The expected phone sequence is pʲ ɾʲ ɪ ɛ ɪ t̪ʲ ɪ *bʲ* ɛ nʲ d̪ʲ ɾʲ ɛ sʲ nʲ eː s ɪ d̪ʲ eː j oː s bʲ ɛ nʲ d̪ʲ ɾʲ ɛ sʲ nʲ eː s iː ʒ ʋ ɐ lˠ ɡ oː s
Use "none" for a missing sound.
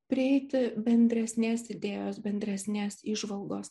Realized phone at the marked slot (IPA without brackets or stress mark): bʲ